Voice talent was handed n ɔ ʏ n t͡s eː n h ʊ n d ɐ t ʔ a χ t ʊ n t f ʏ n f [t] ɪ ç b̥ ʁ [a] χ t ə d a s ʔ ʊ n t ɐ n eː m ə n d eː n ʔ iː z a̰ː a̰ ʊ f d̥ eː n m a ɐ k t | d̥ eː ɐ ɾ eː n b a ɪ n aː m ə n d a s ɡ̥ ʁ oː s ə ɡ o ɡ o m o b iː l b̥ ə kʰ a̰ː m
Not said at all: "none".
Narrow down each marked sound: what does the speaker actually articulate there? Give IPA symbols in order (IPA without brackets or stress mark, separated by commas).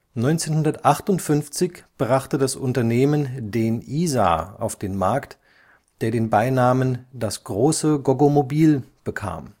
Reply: t͡s, a